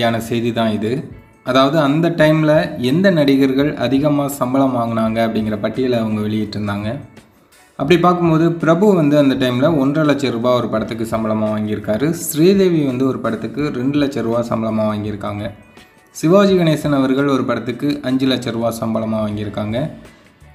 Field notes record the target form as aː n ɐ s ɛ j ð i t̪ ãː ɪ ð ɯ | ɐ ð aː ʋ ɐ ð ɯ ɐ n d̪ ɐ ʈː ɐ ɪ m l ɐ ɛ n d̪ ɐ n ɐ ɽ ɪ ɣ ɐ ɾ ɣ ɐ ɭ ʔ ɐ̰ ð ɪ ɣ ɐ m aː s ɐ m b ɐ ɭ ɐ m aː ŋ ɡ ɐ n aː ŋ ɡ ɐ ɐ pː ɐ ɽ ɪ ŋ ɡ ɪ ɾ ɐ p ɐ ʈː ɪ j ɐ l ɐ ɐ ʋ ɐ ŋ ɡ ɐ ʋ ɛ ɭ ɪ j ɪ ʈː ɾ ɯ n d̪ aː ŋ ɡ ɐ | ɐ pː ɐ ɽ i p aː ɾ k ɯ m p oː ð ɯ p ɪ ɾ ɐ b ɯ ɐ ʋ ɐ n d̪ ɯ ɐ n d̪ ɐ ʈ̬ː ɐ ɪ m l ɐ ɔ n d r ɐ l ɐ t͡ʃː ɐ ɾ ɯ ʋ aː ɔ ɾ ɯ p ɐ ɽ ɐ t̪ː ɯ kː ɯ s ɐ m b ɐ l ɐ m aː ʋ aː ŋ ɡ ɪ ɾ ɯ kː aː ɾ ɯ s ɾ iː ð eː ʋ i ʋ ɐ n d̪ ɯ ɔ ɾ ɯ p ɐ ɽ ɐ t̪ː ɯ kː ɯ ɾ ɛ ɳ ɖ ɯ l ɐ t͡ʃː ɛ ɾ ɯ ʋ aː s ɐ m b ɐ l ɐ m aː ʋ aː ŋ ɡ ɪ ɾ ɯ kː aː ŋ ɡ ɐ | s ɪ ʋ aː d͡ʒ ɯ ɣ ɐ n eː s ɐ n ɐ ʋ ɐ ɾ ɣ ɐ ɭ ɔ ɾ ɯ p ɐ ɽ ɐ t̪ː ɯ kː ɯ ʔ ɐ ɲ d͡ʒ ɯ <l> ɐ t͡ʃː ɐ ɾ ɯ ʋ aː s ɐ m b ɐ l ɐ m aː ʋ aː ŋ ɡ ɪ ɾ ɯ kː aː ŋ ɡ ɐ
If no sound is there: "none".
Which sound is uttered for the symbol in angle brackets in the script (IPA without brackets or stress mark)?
l